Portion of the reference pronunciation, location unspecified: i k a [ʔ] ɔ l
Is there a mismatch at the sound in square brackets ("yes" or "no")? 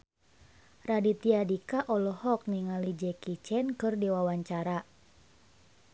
no